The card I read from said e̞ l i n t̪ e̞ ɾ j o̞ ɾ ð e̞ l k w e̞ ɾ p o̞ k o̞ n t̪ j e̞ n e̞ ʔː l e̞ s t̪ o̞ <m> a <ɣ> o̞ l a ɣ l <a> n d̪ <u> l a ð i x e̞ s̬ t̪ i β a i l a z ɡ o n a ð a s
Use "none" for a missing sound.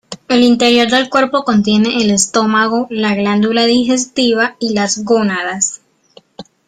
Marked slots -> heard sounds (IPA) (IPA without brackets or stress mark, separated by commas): m, ɣ, a, u